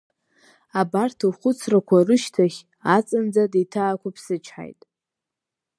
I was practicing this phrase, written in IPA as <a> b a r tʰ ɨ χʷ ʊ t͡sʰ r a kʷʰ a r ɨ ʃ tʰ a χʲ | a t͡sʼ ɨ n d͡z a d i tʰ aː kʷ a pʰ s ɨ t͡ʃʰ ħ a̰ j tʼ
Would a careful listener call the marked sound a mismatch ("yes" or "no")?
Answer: no